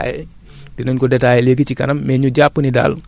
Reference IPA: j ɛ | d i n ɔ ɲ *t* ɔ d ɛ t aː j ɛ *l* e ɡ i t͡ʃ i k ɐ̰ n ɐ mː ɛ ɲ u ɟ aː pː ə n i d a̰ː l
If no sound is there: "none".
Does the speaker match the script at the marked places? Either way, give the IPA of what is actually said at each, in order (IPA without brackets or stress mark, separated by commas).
k, l